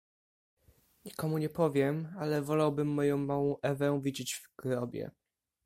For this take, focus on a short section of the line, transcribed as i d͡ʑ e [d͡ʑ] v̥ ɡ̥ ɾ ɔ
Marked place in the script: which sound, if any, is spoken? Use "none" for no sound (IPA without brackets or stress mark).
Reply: d͡ʑ